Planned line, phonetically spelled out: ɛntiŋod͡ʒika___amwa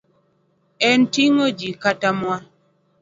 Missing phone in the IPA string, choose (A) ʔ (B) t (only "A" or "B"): B